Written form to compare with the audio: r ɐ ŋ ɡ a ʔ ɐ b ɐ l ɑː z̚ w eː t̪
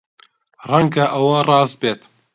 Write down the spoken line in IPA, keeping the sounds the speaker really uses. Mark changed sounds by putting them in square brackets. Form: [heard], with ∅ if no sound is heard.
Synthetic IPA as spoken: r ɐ ŋ ɡ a ʔ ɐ [w] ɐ [r] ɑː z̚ [b] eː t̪